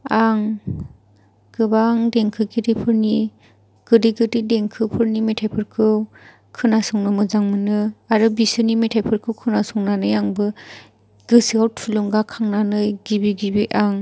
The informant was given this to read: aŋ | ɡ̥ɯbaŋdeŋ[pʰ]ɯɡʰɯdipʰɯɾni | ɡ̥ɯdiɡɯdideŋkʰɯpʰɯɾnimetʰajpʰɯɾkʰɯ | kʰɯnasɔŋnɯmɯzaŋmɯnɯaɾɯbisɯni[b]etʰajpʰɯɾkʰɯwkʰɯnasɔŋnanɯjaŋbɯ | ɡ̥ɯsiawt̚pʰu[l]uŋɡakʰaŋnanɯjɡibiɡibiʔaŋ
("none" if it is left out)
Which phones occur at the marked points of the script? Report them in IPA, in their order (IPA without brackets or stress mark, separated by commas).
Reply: kʰ, m, l